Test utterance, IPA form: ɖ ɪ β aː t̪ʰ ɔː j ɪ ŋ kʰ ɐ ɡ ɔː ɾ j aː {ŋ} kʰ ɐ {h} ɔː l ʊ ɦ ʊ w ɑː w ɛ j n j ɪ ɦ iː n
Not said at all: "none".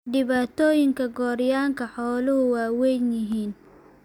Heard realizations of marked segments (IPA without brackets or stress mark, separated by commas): ŋ, ħ